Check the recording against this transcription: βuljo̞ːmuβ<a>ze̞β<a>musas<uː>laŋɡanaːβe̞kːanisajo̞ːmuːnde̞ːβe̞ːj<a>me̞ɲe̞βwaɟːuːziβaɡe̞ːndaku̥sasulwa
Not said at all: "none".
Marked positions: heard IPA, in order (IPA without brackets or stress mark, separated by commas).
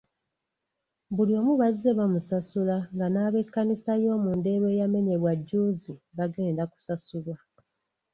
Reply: a, a, u, a